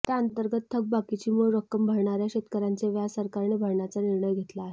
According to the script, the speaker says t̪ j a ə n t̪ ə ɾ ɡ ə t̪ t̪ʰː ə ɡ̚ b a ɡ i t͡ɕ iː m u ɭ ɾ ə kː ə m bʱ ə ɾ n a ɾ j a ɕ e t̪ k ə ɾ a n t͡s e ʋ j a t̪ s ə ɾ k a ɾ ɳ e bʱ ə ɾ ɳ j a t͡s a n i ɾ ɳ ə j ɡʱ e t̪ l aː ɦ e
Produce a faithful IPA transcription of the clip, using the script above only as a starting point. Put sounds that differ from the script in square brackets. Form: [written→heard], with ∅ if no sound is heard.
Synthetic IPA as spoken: t̪ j a ə n t̪ ə ɾ ɡ ə t̪ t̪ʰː ə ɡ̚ b a [ɡ→k] i t͡ɕ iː m u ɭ ɾ ə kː ə m bʱ ə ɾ [n→ɳ] a ɾ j a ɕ e t̪ k ə ɾ a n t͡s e ʋ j a [t̪→∅] s ə ɾ k a ɾ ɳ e bʱ ə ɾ ɳ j a t͡s a n i ɾ ɳ ə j ɡʱ e t̪ l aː ɦ e